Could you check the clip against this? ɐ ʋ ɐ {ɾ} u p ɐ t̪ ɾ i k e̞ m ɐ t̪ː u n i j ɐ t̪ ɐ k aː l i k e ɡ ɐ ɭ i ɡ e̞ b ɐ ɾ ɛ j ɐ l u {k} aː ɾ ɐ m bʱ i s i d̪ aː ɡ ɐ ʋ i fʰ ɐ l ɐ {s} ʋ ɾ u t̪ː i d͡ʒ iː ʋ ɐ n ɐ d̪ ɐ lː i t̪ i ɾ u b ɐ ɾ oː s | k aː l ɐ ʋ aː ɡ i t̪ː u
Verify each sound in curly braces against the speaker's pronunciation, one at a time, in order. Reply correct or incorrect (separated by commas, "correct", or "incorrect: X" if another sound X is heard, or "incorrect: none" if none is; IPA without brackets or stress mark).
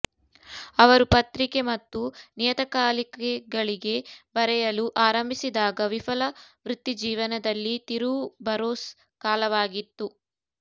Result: correct, incorrect: ʔ, incorrect: none